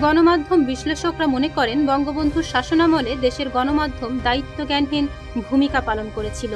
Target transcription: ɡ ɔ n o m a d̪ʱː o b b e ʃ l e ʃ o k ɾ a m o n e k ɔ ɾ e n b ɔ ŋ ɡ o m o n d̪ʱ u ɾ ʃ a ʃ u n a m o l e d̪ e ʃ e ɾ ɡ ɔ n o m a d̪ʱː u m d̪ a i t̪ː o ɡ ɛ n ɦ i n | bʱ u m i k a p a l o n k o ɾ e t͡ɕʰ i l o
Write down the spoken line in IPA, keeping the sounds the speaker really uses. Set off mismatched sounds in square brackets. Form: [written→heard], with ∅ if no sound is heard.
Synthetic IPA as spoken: ɡ ɔ n o m a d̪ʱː o [b→m] b [e→i] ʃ l e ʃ o k ɾ a m o n e k ɔ ɾ e n b ɔ ŋ ɡ o [m→b] o n d̪ʱ u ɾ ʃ a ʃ [u→o] n a m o l e d̪ e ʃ e ɾ ɡ ɔ n o m a d̪ʱː [u→o] m d̪ a i t̪ː o ɡ ɛ n ɦ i n | bʱ u m i k a p a l o n k o ɾ e t͡ɕʰ i l o